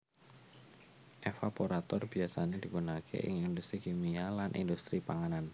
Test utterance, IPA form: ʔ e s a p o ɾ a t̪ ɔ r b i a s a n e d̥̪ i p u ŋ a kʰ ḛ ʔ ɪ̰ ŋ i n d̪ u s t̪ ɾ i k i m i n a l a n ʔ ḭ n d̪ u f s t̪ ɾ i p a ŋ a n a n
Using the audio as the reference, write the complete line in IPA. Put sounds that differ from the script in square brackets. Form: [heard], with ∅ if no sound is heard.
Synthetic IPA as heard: ʔ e [f] a p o ɾ a t̪ ɔ r b i a s a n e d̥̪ i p u [n] a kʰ ḛ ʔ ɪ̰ ŋ i n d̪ u s t̪ ɾ i k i m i [∅] a l a n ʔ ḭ n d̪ u [∅] s t̪ ɾ i p a ŋ a n a n